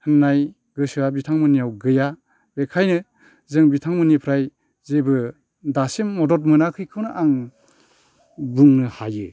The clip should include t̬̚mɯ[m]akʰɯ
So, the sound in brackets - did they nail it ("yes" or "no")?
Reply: no